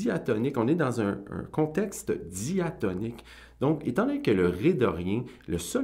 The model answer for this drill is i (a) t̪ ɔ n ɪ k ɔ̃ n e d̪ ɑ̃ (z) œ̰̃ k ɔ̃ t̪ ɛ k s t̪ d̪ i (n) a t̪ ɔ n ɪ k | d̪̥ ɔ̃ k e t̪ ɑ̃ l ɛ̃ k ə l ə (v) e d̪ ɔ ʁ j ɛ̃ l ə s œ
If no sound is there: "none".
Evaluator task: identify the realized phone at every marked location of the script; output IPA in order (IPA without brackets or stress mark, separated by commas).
a, z, none, ʁ